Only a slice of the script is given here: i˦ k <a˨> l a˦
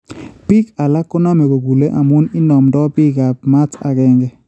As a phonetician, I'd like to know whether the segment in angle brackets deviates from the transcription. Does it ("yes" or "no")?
no